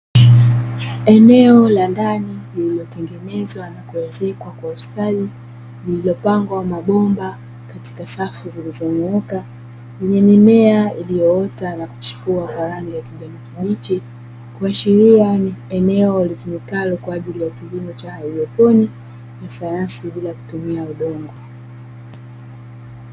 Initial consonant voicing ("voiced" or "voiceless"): voiced